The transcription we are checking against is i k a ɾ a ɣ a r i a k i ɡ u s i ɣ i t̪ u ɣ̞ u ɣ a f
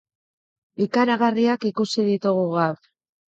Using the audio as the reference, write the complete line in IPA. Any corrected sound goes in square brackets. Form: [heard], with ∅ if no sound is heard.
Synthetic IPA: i k a ɾ a ɣ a r i a k i [k] u s i [ð] i t̪ u ɣ̞ u ɣ a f

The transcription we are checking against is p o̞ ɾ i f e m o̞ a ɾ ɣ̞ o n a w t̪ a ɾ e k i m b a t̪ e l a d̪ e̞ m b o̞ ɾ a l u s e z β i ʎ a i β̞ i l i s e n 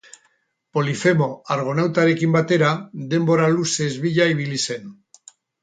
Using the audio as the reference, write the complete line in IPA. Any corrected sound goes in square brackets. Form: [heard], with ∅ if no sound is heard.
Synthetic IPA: p o̞ [l] i f e m o̞ a ɾ ɣ̞ o n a w t̪ a ɾ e k i m b a t̪ e [ɾ] a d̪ e̞ m b o̞ ɾ a l u s e z β i ʎ a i β̞ i l i s e n

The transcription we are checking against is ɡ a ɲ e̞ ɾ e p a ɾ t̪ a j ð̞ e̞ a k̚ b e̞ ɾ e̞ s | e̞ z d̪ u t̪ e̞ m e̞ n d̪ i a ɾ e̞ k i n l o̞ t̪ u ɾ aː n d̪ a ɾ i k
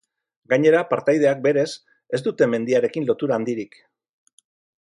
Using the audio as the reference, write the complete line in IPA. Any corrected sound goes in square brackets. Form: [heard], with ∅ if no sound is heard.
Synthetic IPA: ɡ a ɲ e̞ ɾ [a] p a ɾ t̪ a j ð̞ e̞ a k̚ b e̞ ɾ e̞ s | e̞ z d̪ u t̪ e̞ m e̞ n d̪ i a ɾ e̞ k i n l o̞ t̪ u ɾ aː n d̪ [i] ɾ i k

